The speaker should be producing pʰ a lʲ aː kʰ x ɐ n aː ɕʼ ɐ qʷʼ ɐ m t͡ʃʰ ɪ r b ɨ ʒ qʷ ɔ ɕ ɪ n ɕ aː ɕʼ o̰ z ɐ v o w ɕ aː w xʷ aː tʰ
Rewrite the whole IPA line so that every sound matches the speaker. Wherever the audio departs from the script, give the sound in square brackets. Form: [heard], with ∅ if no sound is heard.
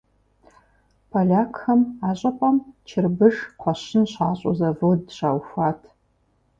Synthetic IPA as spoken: pʰ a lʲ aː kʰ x ɐ [m] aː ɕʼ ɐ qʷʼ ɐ m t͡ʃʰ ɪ r b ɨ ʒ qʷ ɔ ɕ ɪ n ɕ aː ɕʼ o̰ z ɐ v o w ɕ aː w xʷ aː tʰ